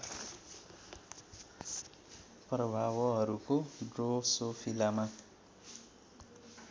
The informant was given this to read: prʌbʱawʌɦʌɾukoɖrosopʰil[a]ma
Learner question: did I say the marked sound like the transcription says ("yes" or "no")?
yes